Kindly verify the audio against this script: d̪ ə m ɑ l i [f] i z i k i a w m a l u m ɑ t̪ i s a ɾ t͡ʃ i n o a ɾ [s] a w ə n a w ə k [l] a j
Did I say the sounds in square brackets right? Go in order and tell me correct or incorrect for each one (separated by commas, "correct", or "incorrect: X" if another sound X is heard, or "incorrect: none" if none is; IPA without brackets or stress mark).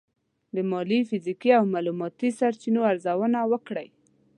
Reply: correct, incorrect: z, incorrect: ɽ